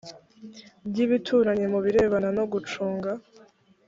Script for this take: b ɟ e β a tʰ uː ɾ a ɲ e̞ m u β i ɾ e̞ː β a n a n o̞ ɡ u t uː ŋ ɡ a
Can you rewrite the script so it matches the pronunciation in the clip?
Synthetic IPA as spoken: b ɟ i β i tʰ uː ɾ a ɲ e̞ m u β i ɾ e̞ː β a n a n o̞ ɡ u t͡ʃ uː ŋ ɡ a